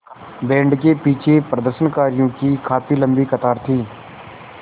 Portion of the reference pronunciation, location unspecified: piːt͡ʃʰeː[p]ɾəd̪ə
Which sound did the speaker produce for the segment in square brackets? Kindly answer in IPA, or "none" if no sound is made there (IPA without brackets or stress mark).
p